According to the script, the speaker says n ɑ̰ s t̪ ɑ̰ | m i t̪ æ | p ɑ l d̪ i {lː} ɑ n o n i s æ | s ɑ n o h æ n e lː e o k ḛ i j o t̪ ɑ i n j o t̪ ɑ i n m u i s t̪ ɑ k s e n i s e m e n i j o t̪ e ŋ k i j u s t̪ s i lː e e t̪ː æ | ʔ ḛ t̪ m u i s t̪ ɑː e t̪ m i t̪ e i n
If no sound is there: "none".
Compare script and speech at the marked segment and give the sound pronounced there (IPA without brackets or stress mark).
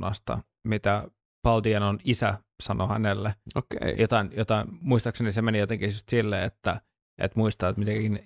none